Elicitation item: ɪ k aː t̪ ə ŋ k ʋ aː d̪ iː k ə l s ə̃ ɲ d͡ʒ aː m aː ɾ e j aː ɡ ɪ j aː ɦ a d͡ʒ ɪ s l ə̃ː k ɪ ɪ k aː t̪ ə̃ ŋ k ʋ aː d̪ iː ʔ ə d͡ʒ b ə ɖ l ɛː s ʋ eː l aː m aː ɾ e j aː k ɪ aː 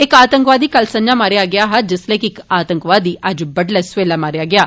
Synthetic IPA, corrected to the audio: ɪ k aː t̪ ə ŋ k ʋ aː d̪ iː k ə l s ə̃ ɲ d͡ʒ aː m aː ɾ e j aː ɡ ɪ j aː ɦ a d͡ʒ ɪ s l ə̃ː k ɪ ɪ k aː t̪ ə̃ ŋ k ʋ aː d̪ iː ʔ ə d͡ʒ b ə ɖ l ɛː s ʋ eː l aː m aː ɾ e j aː ɡ ɪ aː